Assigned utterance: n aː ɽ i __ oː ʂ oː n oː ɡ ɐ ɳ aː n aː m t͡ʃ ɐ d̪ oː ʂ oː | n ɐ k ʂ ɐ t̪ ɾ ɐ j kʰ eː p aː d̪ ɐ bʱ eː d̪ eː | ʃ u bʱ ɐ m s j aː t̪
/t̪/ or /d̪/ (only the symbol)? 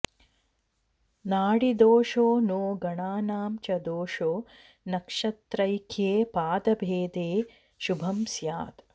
d̪